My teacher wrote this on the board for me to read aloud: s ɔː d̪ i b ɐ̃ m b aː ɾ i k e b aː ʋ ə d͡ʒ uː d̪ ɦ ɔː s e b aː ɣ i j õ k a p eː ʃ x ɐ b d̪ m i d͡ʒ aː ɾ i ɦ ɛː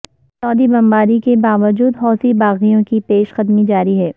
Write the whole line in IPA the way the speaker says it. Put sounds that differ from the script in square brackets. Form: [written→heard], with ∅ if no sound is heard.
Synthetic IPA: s ɔː d̪ i b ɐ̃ m b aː ɾ i k e b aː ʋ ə d͡ʒ uː d̪ ɦ ɔː s [e→i] b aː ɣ i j õ k [a→i] p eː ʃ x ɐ [b→∅] d̪ m i d͡ʒ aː ɾ i ɦ ɛː